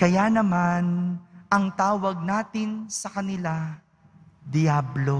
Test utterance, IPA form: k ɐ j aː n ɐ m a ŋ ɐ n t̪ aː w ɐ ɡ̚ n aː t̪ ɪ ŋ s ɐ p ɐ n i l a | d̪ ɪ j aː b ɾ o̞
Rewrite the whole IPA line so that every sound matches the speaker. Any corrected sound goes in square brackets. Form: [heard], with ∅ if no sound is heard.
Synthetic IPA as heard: k ɐ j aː n ɐ m a [n] ɐ [ŋ] t̪ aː w ɐ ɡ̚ n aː t̪ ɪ [n] s ɐ [k] ɐ n [ɪ] l a | d̪ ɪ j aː b [l] o̞